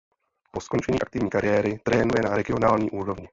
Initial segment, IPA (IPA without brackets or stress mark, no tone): p